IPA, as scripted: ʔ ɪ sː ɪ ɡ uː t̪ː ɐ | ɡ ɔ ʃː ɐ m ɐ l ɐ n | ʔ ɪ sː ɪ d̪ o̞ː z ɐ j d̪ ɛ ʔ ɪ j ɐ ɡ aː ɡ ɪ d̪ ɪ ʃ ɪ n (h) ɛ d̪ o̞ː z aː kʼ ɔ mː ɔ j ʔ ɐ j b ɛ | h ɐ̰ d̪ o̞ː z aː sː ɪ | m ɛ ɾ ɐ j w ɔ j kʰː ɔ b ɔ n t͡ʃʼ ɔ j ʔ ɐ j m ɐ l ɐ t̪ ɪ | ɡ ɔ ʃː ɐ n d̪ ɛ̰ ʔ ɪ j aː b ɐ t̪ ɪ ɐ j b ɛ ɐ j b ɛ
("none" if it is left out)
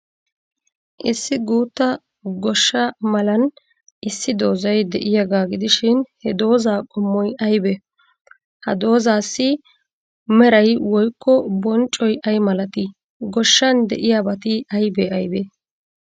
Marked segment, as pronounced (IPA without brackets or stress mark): h